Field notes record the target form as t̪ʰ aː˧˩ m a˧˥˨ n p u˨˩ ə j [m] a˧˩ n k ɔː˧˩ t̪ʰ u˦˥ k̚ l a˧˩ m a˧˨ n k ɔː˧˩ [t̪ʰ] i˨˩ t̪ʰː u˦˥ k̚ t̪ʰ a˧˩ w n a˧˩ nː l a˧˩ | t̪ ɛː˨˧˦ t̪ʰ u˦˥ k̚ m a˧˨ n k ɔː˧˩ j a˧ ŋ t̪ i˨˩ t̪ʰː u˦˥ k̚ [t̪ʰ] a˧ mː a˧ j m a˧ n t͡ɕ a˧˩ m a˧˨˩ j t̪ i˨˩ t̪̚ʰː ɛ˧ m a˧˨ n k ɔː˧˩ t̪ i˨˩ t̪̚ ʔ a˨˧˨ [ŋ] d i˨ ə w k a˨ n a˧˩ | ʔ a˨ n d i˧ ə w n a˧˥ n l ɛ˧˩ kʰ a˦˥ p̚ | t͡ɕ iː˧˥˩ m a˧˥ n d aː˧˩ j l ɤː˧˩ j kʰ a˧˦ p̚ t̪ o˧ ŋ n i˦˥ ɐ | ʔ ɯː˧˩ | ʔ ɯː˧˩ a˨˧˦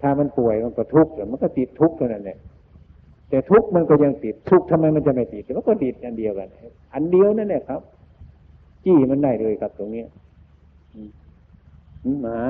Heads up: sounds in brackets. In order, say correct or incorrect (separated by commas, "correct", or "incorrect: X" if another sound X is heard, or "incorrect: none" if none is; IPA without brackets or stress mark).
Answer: correct, incorrect: t̪, correct, incorrect: n